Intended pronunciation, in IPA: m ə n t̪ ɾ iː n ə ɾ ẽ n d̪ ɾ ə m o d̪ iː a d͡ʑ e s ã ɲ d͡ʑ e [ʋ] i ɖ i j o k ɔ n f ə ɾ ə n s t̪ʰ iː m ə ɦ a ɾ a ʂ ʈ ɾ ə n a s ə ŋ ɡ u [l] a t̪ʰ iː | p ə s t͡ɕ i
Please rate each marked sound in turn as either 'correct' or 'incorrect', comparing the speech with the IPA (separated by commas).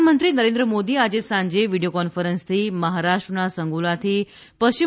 correct, correct